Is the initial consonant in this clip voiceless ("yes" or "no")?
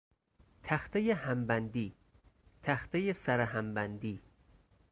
yes